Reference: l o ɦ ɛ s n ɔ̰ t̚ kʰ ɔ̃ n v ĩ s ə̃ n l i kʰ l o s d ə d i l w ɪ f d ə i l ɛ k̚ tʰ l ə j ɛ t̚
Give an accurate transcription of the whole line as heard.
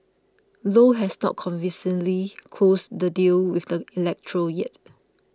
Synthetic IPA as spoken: l o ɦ ɛ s n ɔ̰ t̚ kʰ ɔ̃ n v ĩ s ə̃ n l i kʰ l o s d ə d i l w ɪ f d ə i l ɛ k̚ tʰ ɹ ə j ɛ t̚